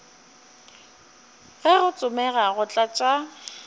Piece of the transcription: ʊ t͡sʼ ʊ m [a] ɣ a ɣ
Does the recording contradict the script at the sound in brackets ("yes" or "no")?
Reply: yes